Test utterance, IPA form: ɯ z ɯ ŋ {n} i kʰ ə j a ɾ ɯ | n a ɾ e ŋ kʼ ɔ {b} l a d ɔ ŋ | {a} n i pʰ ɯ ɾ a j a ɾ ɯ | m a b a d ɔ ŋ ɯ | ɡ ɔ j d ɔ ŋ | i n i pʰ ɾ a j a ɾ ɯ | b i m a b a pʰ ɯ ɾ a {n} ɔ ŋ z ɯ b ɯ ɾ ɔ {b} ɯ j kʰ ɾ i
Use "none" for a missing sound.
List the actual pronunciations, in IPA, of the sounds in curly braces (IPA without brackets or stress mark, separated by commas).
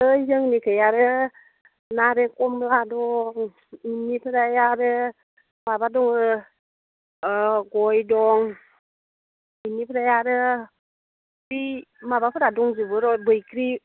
n, m, i, d, b